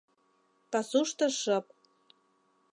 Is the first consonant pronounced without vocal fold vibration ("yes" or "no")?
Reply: yes